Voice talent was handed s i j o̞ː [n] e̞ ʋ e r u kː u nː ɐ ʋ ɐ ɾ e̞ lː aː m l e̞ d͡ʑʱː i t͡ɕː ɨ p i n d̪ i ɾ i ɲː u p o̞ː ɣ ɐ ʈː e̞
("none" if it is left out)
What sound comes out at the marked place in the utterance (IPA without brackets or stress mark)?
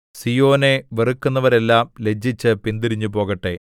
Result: n